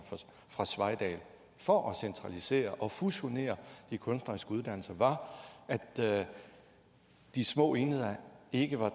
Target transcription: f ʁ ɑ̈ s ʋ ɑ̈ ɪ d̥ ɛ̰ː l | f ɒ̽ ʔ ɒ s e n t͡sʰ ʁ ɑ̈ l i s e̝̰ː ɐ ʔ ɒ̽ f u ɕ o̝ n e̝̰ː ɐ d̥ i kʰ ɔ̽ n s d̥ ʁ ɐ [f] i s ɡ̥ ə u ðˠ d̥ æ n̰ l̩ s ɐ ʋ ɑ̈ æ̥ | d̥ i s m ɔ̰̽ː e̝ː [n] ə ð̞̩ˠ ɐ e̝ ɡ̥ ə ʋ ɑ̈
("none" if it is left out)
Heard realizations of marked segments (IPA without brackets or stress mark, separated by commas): none, n